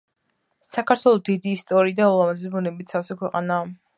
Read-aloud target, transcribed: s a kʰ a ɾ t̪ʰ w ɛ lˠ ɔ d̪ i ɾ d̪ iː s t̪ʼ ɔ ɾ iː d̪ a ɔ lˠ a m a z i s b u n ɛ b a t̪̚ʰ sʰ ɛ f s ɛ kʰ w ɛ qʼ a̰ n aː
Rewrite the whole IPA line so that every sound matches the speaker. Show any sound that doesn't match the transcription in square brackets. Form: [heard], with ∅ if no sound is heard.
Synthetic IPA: s a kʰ a ɾ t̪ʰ w ɛ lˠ ɔ d̪ i [∅] d̪ iː s t̪ʼ ɔ ɾ iː d̪ a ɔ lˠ a m a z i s b u n ɛ b [i] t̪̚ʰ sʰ [a] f s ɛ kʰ w ɛ qʼ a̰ n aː